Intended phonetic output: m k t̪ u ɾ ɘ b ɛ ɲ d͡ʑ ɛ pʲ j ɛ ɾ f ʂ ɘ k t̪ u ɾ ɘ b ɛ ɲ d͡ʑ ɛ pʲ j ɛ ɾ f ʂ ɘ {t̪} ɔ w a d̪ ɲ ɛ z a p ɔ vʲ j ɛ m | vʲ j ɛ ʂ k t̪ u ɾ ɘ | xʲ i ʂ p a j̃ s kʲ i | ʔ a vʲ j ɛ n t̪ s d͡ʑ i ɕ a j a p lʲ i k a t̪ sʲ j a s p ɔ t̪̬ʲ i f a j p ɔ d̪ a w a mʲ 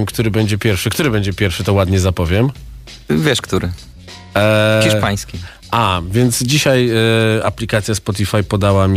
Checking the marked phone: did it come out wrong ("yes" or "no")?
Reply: no